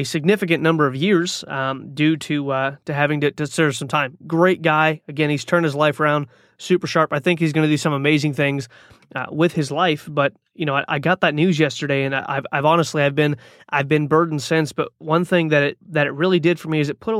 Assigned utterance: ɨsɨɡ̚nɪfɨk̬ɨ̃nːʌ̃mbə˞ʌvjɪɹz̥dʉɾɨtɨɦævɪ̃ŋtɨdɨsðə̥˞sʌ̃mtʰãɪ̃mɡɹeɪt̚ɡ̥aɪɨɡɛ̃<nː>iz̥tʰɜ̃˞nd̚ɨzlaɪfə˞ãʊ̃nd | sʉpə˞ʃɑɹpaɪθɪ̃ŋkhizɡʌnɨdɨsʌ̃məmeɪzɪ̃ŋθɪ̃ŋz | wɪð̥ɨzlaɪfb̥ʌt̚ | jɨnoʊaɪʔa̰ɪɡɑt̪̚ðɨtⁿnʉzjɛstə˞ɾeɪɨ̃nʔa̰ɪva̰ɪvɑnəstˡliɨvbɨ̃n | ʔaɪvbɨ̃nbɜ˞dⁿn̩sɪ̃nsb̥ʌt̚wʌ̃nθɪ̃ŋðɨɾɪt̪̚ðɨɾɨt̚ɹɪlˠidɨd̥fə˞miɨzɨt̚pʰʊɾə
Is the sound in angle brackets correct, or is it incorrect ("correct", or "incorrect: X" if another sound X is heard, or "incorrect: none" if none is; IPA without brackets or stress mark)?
incorrect: n